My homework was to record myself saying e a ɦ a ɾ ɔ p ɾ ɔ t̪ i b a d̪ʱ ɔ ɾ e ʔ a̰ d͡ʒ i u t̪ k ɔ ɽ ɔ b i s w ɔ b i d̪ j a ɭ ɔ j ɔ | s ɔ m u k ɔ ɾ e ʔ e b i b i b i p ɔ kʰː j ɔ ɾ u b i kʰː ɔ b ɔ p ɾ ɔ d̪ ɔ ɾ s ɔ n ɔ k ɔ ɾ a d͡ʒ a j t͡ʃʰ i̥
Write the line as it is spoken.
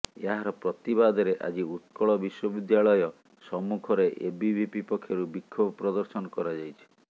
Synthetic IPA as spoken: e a ɦ a ɾ ɔ p ɾ ɔ t̪ i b a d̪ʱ ɔ ɾ e ʔ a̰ d͡ʒ i u t̪ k ɔ ɭ ɔ b i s w ɔ b i d̪ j a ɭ ɔ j ɔ | s ɔ m u kʰ ɔ ɾ e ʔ e b i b i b i p ɔ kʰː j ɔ ɾ u b i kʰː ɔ b ɔ p ɾ ɔ d̪ ɔ ɾ s ɔ n ɔ k ɔ ɾ a d͡ʒ a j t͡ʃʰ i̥